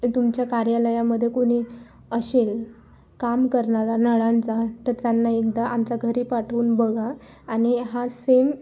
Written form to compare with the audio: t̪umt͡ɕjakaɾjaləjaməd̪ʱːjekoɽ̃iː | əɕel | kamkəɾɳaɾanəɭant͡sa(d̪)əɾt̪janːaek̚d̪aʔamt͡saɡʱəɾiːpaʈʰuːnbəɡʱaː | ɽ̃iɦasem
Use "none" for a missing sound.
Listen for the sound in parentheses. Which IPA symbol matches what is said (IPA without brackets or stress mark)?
t̪